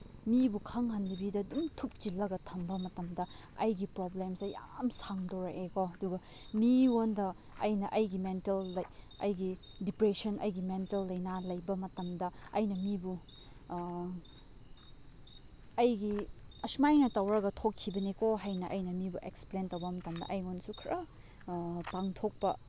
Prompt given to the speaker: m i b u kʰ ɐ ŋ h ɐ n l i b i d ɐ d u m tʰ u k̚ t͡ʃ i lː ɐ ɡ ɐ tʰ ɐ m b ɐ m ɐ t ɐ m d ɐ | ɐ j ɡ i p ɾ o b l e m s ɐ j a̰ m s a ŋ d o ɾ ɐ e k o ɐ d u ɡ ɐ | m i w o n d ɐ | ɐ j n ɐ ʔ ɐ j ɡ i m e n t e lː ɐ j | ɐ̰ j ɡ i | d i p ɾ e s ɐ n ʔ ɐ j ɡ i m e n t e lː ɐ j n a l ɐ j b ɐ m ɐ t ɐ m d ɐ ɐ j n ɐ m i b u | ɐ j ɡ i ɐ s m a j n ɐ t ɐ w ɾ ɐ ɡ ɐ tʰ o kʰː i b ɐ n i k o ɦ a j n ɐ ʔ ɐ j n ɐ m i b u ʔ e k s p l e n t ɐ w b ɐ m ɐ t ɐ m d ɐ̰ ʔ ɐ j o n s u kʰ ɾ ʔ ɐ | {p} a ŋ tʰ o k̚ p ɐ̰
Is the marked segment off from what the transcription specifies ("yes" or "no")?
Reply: no